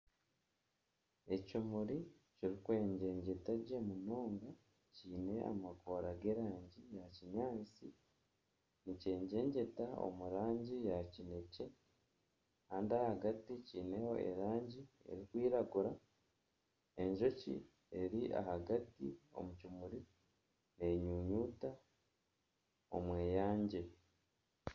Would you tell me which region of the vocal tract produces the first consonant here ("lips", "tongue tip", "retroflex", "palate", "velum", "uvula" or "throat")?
palate